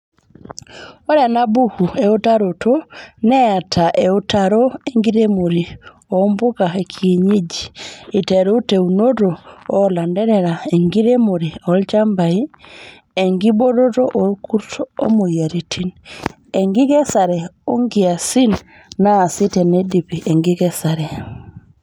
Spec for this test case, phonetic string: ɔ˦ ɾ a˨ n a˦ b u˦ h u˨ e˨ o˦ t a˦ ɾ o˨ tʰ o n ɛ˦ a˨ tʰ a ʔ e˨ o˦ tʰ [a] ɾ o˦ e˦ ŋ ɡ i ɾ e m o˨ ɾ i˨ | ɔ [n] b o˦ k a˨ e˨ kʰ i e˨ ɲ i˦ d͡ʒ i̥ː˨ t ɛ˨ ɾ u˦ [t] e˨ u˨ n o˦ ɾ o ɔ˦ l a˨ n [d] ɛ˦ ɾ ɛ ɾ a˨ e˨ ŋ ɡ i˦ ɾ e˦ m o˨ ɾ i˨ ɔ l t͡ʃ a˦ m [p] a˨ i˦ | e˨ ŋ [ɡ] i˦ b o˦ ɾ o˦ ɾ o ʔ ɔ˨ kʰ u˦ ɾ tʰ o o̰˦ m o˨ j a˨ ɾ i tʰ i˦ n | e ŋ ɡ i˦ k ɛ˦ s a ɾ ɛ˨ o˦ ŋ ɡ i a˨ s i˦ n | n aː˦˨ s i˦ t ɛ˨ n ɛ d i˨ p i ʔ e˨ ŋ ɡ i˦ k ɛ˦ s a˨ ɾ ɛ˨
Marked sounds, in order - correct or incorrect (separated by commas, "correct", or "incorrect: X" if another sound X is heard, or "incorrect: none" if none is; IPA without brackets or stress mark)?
correct, incorrect: m, correct, correct, incorrect: b, correct